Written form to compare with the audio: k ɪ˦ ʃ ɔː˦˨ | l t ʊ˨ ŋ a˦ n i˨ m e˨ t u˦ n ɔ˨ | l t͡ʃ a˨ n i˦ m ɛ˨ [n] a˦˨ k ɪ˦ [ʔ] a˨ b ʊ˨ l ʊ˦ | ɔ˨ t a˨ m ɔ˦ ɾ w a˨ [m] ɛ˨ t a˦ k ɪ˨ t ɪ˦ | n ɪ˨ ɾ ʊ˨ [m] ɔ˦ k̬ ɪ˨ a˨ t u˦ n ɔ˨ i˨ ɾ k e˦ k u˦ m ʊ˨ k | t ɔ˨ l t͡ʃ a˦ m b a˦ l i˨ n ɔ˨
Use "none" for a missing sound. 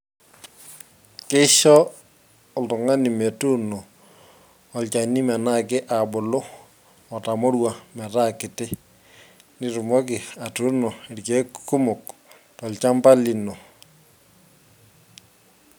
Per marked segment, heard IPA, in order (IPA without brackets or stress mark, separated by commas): n, ʔ, m, m